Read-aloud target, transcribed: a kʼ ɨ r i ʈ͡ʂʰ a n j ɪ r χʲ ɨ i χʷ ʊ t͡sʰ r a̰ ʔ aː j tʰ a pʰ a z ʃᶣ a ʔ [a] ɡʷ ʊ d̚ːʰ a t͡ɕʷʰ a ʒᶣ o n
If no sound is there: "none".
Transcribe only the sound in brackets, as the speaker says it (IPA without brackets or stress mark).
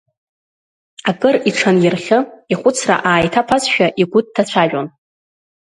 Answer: i